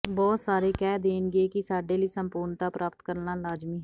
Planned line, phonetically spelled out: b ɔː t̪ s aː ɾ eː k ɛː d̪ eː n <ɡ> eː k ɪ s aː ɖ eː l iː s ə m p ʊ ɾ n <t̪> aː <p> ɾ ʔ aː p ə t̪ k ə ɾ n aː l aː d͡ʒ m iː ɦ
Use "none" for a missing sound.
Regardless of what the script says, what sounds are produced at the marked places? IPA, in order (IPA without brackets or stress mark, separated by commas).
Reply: ɡ, t̪, p